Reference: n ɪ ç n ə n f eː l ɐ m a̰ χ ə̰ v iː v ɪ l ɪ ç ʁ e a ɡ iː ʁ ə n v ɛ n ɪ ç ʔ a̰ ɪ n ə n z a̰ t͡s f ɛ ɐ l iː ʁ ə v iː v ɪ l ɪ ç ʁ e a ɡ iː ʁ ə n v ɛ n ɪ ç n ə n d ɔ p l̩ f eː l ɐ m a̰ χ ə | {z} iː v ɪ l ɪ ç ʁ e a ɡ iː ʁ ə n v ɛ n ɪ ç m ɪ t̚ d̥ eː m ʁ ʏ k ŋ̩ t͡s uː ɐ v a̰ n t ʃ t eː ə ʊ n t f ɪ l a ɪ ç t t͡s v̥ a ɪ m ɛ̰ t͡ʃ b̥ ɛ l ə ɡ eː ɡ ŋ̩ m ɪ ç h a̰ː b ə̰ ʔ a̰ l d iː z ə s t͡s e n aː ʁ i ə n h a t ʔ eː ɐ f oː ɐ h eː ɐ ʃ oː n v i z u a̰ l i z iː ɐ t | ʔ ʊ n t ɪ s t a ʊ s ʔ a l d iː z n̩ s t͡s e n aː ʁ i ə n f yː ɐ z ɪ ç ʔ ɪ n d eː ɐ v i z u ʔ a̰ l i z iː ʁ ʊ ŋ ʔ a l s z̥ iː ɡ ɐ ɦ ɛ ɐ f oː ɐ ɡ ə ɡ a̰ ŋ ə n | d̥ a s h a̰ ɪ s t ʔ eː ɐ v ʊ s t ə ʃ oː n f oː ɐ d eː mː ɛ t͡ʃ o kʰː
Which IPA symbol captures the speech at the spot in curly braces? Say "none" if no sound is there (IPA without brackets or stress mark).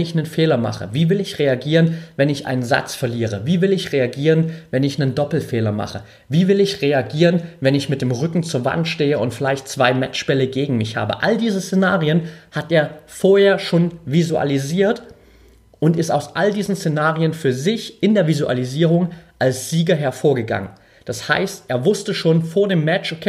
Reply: v